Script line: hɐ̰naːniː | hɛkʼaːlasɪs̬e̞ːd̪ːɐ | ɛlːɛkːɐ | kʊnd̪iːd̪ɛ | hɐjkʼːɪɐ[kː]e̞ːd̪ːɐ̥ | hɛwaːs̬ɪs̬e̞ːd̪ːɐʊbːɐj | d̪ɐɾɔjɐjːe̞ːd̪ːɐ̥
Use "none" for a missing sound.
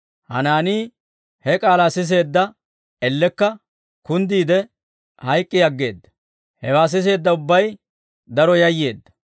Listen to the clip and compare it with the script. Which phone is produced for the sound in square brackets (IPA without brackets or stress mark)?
ɡː